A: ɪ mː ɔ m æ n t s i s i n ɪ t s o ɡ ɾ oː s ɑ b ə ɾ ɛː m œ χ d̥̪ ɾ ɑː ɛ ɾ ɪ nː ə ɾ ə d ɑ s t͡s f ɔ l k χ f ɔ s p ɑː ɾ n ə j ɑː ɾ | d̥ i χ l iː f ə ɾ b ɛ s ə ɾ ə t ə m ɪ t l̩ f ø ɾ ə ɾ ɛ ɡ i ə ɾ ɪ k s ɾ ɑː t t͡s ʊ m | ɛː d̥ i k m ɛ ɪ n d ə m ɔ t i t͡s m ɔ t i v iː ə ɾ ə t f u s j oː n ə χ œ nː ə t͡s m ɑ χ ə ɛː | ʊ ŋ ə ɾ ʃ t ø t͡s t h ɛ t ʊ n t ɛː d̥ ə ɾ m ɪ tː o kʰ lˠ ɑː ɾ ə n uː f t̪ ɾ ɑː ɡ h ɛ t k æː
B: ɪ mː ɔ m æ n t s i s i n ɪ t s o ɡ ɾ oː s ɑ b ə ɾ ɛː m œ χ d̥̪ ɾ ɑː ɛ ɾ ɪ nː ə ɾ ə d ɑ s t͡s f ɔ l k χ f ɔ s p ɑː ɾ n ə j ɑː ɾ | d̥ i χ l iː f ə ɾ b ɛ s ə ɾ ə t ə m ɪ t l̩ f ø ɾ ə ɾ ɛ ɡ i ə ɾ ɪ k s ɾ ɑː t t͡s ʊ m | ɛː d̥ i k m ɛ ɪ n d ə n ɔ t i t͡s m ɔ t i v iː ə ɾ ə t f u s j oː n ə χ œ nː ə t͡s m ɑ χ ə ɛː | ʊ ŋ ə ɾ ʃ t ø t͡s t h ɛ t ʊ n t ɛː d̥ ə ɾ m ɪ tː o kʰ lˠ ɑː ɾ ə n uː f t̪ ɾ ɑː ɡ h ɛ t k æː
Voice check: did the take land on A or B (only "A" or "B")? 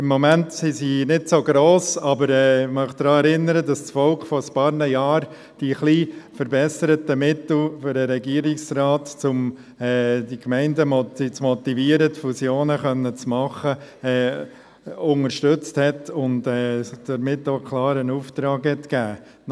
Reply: A